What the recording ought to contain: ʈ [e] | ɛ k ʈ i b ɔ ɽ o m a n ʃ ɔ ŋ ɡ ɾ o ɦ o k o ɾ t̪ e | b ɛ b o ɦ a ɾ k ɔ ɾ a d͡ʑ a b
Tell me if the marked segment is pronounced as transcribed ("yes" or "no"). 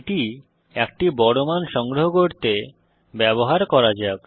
no